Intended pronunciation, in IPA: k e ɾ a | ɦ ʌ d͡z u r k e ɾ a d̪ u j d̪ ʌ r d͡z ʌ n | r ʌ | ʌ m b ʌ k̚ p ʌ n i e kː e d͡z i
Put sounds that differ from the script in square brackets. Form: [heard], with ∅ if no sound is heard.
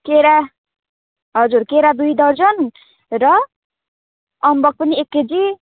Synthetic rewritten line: k e ɾ a | ɦ ʌ d͡z u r k e ɾ a d̪ u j d̪ ʌ r d͡z ʌ n | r ʌ | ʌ m b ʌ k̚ p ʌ n i e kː e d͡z i